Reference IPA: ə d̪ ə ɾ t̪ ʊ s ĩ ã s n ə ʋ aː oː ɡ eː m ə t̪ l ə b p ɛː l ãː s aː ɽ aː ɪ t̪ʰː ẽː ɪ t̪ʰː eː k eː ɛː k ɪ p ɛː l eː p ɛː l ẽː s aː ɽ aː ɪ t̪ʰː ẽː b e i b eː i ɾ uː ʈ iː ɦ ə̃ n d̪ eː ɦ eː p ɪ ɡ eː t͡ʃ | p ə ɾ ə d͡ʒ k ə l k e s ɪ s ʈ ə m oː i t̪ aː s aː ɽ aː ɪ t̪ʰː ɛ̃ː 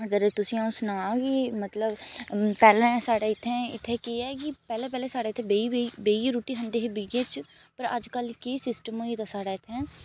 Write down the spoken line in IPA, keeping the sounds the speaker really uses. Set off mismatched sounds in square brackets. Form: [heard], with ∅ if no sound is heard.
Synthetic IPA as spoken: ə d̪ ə ɾ t̪ ʊ s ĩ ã s n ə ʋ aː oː ɡ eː m ə t̪ l ə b p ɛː l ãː s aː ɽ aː ɪ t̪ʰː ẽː ɪ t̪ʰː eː k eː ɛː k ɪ p ɛː l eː p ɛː l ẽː s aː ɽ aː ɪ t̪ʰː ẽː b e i b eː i ɾ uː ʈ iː ɦ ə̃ n d̪ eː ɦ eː [b] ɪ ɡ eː t͡ʃ | p ə ɾ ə d͡ʒ k ə l k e s ɪ s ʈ ə m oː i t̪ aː s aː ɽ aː ɪ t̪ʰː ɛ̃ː